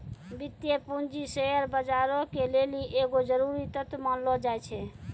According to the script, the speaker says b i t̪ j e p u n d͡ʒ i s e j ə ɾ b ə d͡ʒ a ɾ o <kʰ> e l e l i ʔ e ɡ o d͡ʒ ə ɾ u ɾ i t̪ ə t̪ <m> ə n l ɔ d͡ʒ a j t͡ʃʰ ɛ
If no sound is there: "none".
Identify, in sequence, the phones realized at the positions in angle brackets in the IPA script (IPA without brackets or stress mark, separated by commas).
k, m